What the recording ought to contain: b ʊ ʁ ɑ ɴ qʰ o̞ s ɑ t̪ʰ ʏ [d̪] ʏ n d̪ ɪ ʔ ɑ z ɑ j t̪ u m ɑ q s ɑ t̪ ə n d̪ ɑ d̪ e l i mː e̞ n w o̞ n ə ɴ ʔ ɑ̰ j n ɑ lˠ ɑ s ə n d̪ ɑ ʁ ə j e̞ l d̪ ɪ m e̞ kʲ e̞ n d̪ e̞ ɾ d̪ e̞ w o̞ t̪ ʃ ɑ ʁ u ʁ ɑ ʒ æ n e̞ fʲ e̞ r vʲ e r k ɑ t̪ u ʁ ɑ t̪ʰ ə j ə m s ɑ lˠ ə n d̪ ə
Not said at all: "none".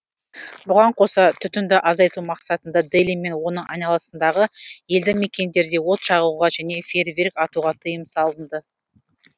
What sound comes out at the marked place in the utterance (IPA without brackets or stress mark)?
t̪